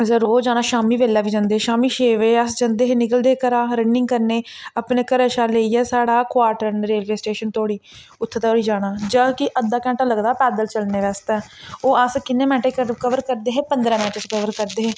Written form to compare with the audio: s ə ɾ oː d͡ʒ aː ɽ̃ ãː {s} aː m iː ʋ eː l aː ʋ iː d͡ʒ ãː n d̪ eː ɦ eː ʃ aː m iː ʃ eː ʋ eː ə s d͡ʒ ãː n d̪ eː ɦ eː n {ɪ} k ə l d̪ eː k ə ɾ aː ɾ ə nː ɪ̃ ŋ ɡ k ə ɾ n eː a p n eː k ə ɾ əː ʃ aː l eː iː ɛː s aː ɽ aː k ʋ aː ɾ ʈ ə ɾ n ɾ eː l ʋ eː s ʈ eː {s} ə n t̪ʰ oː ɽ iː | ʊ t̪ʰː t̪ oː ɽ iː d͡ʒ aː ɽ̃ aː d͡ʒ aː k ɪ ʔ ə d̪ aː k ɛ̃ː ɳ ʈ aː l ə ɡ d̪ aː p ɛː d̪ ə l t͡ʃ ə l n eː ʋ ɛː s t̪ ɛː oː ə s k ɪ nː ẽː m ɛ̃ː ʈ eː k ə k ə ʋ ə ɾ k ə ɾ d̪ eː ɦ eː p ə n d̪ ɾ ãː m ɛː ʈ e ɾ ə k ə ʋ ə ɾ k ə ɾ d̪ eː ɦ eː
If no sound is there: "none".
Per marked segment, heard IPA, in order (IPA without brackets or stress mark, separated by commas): ʃ, ɪ, ʃ